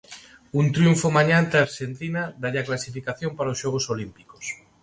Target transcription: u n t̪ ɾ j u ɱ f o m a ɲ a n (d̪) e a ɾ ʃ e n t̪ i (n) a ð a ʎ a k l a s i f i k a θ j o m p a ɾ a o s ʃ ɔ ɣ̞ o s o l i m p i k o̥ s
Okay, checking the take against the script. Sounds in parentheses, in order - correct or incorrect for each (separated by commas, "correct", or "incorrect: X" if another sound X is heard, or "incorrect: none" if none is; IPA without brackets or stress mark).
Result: incorrect: t̪, correct